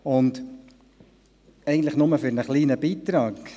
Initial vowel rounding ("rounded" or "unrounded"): rounded